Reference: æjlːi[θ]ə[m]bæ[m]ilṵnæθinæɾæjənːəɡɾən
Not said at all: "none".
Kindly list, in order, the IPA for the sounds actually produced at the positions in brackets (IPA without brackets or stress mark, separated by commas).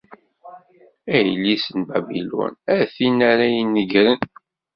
s, n, b